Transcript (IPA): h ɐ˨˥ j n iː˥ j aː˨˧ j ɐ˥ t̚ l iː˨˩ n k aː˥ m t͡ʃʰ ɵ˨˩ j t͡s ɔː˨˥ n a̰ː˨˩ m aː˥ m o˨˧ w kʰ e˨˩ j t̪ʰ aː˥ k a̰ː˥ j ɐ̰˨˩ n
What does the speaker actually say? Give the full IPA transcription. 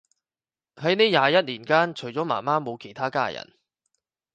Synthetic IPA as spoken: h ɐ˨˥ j n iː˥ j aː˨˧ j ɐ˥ t̚ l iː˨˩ n k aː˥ n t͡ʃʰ ɵ˨˩ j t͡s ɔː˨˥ m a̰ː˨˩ m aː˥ m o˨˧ w kʰ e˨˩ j t̪ʰ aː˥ k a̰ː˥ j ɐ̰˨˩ n